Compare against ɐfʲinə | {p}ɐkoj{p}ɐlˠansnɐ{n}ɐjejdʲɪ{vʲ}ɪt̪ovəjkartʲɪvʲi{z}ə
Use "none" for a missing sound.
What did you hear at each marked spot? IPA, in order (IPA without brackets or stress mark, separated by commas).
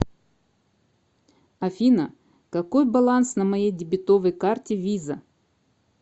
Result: k, b, m, bʲ, z